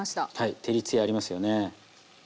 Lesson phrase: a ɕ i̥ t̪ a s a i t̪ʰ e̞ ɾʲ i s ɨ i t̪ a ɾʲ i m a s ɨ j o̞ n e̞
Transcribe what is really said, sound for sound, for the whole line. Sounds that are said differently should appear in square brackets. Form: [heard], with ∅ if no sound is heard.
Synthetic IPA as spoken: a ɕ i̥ t̪ a [h] a i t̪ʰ e̞ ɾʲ i [t͡s] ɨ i [∅] a ɾʲ i m a s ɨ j o̞ n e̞

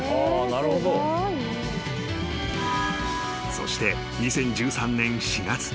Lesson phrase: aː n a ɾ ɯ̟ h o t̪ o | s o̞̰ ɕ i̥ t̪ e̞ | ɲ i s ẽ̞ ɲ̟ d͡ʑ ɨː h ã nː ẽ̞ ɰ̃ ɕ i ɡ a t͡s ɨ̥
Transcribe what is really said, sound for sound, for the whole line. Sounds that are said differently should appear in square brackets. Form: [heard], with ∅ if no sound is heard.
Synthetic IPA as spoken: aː n a ɾ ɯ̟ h o [d̪] o | s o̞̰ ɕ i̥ t̪ e̞ | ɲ i s ẽ̞ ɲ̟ d͡ʑ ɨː [s] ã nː ẽ̞ ɰ̃ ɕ i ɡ a t͡s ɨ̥

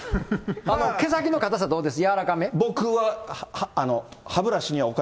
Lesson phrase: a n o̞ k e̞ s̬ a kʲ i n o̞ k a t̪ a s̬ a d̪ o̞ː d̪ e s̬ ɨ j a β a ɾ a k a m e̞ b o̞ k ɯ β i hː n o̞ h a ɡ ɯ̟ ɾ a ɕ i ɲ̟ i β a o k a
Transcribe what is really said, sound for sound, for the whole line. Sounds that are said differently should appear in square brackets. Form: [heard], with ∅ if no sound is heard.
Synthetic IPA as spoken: a n o̞ k e̞ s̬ a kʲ i n o̞ k a t̪ a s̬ a d̪ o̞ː d̪ e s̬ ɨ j a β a ɾ a k a m e̞ b o̞ k ɯ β [a] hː n o̞ h a [b] ɯ̟ ɾ a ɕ i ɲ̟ i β a o k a

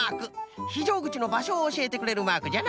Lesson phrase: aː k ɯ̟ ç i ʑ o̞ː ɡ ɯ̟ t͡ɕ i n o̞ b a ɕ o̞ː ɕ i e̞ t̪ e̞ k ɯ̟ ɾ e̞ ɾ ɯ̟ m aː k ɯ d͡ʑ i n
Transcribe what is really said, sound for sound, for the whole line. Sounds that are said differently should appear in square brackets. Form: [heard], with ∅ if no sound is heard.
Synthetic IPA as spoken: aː k ɯ̟ ç i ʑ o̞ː ɡ ɯ̟ t͡ɕ i n o̞ b a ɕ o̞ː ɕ i e̞ t̪ e̞ k ɯ̟ ɾ e̞ ɾ ɯ̟ m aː k ɯ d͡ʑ [a] n

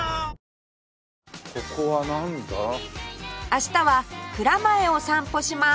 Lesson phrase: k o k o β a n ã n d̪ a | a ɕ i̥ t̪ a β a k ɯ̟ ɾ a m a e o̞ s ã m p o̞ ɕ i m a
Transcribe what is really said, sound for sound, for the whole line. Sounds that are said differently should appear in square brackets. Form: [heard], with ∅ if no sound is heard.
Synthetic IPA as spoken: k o k o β a n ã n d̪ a | a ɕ i̥ t̪ a β a k ɯ̟ ɾ a m a e o̞ s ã m p o̞ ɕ i m a

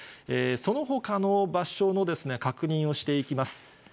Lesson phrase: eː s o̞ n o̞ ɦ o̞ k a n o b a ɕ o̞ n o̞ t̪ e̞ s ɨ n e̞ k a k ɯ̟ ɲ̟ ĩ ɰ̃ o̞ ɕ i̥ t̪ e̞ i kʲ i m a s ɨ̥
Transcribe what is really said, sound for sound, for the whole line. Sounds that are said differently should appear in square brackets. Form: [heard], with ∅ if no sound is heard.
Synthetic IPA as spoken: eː s o̞ n o̞ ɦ o̞ k a n o b a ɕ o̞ n o̞ [d̪] e̞ s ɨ n e̞ k a k ɯ̟ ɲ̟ ĩ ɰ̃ o̞ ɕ i̥ t̪ e̞ i kʲ i m a s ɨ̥

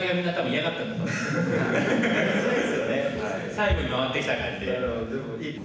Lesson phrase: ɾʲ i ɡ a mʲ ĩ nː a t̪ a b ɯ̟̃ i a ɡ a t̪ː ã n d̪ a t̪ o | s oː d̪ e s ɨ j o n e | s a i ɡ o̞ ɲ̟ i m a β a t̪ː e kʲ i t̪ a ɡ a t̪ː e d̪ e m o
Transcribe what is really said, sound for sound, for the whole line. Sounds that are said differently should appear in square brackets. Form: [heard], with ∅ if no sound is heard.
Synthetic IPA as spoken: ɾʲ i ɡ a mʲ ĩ nː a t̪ a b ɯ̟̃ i a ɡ a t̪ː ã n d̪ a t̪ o | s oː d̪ e s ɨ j o n e | s a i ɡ o̞ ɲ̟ i m a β a t̪ː e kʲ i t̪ a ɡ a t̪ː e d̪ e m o

